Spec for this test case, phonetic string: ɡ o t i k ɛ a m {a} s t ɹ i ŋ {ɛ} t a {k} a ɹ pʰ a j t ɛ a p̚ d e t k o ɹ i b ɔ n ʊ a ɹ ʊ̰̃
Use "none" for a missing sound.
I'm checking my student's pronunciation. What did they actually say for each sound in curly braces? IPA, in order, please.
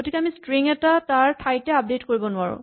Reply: i, ɛ, t

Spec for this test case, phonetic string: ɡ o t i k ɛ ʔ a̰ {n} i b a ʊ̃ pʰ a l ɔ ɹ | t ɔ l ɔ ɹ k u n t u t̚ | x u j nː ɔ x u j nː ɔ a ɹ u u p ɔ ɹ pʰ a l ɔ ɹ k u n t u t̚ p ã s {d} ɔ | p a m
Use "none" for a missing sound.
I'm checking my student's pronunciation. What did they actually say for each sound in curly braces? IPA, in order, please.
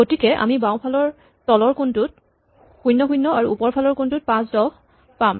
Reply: m, d

